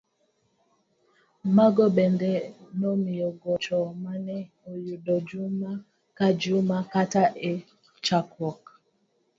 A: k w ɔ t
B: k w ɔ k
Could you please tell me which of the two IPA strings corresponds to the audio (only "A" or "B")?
B